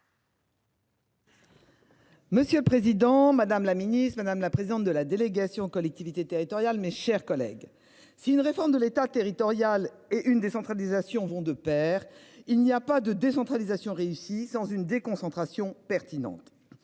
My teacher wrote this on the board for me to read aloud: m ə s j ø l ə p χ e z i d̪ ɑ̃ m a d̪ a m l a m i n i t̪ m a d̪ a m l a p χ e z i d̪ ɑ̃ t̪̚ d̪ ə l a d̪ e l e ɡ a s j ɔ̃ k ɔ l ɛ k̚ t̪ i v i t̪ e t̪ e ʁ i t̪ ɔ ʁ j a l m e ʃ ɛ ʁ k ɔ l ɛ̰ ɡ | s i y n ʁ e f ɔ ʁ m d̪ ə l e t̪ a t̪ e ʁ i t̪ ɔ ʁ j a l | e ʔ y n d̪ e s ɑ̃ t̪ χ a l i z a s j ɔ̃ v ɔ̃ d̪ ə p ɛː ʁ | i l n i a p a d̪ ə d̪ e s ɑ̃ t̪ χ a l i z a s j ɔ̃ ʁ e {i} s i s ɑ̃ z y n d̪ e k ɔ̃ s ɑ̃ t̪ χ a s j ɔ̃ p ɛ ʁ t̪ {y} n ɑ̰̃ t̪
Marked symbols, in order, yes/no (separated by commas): no, no